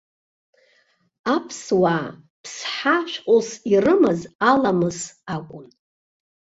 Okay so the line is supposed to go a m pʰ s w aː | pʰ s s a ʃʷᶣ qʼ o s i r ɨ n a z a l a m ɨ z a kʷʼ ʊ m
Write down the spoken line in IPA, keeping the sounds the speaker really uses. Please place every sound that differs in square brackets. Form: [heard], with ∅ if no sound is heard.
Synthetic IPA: a [∅] pʰ s w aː | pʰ s [ħ] a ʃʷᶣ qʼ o s i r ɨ [m] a z a l a m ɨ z a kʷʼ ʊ [n]

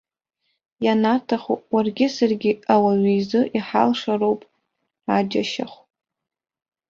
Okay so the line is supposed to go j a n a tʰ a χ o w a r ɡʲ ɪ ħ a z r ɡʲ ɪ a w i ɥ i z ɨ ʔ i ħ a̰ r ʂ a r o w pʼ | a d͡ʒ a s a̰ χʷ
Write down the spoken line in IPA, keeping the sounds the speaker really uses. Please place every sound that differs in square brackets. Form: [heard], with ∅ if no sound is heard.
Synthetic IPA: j a n a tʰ a χ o w a r ɡʲ ɪ [s] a [∅] r ɡʲ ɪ a w [a] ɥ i z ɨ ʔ i ħ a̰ [l] ʂ a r o w pʼ | a d͡ʒ a [ʃ] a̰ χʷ

